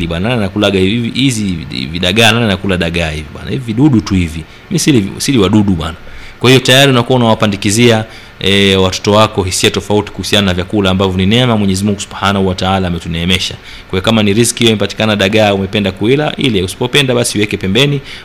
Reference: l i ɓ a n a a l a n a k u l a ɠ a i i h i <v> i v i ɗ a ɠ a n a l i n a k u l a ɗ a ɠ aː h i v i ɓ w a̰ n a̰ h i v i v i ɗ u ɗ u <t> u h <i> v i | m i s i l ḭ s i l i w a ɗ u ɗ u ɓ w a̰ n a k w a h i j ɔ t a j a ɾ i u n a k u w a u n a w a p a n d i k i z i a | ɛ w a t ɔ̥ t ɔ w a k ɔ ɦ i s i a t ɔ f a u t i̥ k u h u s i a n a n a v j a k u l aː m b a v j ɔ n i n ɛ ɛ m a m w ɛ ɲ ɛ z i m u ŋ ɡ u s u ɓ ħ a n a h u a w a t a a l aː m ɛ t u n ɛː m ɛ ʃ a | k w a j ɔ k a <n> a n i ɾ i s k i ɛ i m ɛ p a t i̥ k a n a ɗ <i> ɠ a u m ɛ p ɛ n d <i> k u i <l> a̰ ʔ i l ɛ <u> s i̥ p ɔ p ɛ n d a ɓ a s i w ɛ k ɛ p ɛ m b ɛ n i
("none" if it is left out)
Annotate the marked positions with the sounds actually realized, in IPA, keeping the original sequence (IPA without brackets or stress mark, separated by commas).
z, t, i, m, a, a, l, u